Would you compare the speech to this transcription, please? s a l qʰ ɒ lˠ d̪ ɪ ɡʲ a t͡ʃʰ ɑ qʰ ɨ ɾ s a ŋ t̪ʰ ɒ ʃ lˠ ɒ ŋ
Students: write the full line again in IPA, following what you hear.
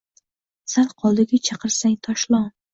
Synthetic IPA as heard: s a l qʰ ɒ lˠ d̪ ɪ ɡʲ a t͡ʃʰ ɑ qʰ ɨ ɾ s a ŋ t̪ʰ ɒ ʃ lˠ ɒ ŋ